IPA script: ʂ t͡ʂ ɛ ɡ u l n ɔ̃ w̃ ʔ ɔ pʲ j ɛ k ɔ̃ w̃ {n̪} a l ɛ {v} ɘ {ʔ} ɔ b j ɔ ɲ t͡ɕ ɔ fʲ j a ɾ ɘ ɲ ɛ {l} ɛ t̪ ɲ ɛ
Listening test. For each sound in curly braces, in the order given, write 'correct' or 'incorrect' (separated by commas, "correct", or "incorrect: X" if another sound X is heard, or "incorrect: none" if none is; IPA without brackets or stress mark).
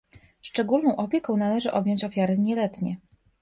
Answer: correct, incorrect: ʐ, correct, correct